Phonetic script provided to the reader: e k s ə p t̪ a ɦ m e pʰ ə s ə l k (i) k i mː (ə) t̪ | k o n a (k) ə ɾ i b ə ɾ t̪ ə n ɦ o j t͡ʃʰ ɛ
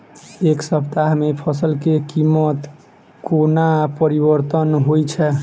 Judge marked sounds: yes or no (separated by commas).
no, yes, no